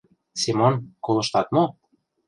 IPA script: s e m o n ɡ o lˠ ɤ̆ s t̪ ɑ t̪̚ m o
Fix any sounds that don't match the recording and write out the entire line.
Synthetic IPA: s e m o n k o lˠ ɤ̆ ʃ t̪ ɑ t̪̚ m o